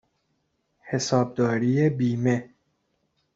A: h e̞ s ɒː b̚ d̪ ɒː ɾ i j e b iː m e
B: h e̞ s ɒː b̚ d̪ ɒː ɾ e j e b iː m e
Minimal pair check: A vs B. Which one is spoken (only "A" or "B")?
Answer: A